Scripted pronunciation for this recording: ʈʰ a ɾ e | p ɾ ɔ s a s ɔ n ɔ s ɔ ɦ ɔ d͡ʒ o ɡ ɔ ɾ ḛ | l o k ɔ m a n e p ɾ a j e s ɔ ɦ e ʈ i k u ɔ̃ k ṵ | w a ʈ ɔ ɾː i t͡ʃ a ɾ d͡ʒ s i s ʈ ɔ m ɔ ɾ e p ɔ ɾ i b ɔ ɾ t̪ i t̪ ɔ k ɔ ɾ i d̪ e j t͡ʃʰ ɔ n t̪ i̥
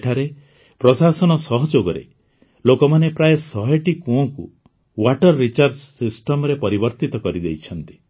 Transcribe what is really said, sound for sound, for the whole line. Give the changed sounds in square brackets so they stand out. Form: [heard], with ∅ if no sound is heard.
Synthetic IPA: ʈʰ a ɾ e | p ɾ ɔ s a s ɔ n ɔ s ɔ ɦ ɔ d͡ʒ o ɡ ɔ ɾ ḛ | l o k ɔ m a n e p ɾ a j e s ɔ ɦ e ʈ i k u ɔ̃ k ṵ | w a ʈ ɔ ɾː i t͡ʃ a ɾ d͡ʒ s i s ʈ ɔ m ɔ ɾ e p ɔ ɾ i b ɔ ɾ t̪ i t̪ ɔ k ɔ ɾ i d̪ e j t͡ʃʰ ɔ n t̪ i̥